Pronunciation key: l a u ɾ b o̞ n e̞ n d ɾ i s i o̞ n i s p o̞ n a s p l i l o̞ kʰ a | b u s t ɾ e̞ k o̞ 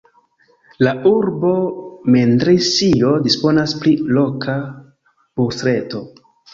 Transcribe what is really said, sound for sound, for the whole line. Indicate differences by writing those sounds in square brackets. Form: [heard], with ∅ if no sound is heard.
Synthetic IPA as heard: l a u ɾ b o̞ [m] e̞ n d ɾ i s i o̞ [d] i s p o̞ n a s p l i l o̞ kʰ a | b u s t ɾ e̞ [t] o̞